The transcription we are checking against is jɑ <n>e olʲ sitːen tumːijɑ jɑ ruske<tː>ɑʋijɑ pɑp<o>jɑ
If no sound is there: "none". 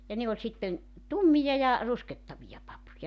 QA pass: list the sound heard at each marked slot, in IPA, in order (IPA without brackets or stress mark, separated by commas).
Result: n, tː, u